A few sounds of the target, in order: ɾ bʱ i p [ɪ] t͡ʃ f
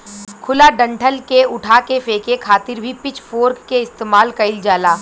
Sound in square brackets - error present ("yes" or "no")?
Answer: no